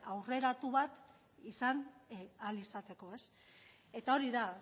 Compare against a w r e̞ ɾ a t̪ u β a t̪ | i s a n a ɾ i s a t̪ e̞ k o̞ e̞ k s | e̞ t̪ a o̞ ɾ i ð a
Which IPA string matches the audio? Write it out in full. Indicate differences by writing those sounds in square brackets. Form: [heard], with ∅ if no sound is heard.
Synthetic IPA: a w r e̞ ɾ a t̪ u β a t̪ | i s a n a [l] i s a t̪ e̞ k o̞ e̞ [∅] s | e̞ t̪ a o̞ ɾ i ð a